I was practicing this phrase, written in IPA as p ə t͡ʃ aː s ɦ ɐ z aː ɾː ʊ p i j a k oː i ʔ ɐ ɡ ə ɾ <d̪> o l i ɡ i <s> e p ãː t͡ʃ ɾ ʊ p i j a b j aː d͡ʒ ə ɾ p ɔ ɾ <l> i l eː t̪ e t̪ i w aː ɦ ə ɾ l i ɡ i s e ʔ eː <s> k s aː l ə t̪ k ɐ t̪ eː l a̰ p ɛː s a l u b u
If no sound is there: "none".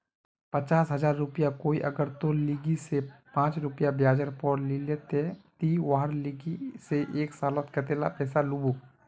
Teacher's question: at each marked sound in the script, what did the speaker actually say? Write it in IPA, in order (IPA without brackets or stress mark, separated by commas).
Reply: t̪, s, l, none